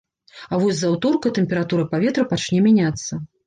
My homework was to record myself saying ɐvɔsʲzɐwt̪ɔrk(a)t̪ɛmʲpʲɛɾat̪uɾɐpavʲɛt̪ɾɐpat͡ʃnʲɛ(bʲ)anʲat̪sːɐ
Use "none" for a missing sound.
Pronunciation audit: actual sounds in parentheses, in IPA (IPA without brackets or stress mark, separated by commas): ɐ, mʲ